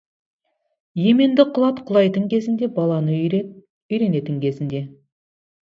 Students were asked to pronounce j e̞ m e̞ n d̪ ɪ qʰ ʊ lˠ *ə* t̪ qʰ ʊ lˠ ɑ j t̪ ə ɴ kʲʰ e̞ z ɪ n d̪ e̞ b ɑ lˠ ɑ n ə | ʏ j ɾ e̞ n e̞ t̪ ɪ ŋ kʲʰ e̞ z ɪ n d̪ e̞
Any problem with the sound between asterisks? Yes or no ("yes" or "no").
yes